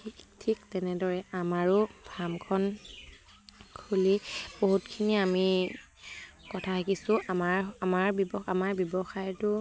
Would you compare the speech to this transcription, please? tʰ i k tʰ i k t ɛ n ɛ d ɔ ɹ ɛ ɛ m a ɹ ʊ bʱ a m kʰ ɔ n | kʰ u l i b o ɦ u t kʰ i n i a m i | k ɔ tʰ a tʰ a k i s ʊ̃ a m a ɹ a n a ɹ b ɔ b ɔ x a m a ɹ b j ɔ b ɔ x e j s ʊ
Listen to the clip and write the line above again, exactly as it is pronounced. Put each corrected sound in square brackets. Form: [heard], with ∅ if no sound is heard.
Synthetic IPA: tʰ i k tʰ i k t ɛ n ɛ d ɔ ɹ ɛ [a] m a ɹ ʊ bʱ a m kʰ ɔ n | kʰ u l i b o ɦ u t kʰ i n i a m i | k ɔ tʰ a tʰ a k i s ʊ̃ a m a ɹ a [m] a ɹ b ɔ b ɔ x a m a ɹ b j ɔ b ɔ x [a] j [t] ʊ